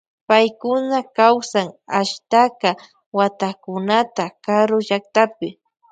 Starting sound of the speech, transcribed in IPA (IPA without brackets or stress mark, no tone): p